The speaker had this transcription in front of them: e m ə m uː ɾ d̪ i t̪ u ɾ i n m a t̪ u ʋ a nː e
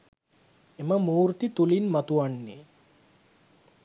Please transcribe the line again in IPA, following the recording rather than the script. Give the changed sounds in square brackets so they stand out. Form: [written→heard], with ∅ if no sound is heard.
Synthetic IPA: e m ə m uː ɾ [d̪→t̪] i t̪ u [ɾ→l] i n m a t̪ u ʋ a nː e